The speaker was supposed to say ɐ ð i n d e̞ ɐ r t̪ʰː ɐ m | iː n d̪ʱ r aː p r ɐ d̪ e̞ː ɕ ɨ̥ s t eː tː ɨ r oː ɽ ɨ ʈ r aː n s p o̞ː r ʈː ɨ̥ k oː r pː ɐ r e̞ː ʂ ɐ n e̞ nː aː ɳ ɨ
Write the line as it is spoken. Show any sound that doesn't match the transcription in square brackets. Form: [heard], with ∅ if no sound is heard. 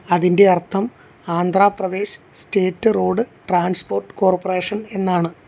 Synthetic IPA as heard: ɐ ð i n d e̞ ɐ r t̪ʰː ɐ m | [aː] n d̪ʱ r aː p r ɐ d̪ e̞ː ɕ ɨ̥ s t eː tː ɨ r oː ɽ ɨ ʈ r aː n s p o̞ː r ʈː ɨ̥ k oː r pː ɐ r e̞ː ʂ ɐ n e̞ nː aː ɳ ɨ